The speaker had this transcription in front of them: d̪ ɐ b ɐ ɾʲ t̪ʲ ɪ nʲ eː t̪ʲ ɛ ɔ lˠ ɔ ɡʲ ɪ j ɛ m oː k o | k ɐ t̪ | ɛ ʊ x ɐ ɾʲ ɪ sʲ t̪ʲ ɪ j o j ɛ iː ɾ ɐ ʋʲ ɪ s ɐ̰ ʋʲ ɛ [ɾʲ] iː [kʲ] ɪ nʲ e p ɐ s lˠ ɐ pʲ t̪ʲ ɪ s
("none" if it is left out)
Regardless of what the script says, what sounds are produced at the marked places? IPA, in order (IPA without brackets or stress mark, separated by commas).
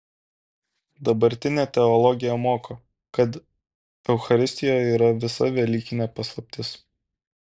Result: lʲ, kʲ